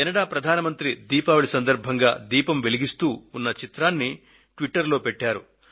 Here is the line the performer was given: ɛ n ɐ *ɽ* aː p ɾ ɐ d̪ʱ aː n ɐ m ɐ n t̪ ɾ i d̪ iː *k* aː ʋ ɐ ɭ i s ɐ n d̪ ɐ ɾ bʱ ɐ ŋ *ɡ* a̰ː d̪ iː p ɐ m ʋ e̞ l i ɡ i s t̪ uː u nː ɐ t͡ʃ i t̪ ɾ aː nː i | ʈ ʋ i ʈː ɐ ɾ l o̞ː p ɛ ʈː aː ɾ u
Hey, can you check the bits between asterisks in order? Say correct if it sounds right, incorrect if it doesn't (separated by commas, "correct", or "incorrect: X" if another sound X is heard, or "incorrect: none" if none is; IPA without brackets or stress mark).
correct, incorrect: p, correct